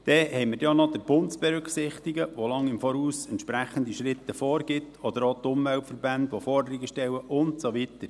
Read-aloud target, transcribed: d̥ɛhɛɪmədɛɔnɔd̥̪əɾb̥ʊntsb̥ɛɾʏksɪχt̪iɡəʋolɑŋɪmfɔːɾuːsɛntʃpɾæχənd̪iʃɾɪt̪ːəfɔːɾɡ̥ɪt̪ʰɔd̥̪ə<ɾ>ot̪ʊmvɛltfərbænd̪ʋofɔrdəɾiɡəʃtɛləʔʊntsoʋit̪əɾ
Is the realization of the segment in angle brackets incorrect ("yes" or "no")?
no